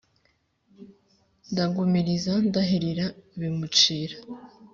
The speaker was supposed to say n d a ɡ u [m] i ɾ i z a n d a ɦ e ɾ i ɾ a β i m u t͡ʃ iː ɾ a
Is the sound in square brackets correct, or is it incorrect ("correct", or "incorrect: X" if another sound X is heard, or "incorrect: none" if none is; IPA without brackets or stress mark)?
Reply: correct